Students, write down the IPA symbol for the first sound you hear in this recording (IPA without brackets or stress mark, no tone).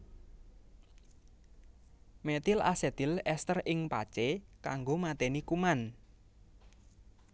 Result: m